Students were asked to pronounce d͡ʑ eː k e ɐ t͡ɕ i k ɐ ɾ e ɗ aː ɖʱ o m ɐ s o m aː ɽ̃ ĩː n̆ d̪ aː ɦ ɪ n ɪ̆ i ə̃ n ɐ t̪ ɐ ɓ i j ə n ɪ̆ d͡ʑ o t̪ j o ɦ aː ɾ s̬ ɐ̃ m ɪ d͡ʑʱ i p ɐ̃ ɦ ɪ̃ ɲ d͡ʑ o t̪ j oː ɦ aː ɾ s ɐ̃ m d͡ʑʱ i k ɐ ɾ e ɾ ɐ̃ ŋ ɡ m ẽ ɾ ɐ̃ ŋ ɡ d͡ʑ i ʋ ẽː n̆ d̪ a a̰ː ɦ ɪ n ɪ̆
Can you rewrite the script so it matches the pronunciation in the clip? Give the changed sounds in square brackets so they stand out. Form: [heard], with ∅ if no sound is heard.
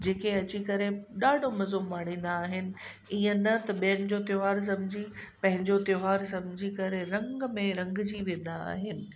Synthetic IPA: d͡ʑ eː k e ɐ t͡ɕ i k ɐ ɾ e ɗ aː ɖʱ o m ɐ [z] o m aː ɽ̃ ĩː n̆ d̪ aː ɦ ɪ n ɪ̆ i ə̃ n ɐ t̪ ɐ ɓ i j ə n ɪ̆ d͡ʑ o t̪ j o ɦ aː ɾ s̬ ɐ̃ m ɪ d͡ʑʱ i p ɐ̃ ɦ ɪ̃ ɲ d͡ʑ o t̪ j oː ɦ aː ɾ s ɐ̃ m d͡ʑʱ i k ɐ ɾ e ɾ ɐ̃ ŋ ɡ m ẽ ɾ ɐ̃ ŋ ɡ d͡ʑ i ʋ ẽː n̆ d̪ a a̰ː ɦ ɪ n ɪ̆